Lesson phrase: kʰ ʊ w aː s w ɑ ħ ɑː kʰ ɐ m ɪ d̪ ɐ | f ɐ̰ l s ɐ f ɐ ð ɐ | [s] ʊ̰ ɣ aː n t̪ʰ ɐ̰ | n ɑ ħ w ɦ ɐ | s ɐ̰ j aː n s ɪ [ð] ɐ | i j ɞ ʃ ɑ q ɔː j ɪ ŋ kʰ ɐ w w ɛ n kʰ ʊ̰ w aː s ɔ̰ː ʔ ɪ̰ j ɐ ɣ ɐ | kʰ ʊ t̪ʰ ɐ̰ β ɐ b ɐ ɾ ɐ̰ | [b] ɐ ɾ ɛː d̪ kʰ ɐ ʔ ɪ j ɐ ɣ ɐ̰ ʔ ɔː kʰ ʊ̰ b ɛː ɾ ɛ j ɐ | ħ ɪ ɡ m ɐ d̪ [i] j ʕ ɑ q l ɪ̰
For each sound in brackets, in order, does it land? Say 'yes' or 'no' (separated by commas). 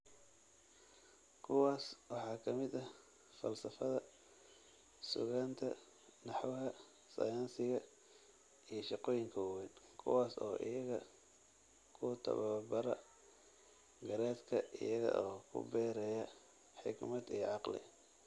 yes, no, no, yes